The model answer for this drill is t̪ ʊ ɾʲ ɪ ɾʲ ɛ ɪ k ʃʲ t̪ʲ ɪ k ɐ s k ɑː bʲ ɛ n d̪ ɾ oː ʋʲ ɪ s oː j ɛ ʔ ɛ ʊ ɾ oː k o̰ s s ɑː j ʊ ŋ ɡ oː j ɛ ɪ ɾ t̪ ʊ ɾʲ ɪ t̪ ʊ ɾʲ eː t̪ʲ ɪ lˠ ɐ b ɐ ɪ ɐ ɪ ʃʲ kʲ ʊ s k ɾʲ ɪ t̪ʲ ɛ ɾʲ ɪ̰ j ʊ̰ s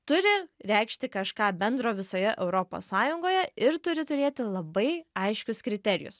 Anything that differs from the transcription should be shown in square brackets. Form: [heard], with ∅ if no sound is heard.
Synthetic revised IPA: t̪ ʊ ɾʲ ɪ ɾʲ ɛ ɪ k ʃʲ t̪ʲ ɪ k ɐ [ʃ] k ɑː bʲ ɛ n d̪ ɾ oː ʋʲ ɪ s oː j ɛ ʔ ɛ ʊ ɾ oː [p] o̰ s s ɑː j ʊ ŋ ɡ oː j ɛ ɪ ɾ t̪ ʊ ɾʲ ɪ t̪ ʊ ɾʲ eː t̪ʲ ɪ lˠ ɐ b ɐ ɪ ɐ ɪ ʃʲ kʲ ʊ s k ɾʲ ɪ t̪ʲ ɛ ɾʲ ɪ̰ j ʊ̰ s